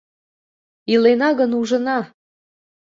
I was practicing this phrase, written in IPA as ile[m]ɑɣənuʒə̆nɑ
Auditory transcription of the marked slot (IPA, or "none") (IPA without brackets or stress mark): n